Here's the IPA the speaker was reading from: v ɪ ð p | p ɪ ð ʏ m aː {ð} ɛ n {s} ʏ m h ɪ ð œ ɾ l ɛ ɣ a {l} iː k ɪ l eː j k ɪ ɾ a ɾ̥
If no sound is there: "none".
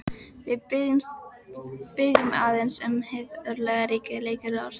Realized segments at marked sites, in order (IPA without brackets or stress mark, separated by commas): ð, s, ɾ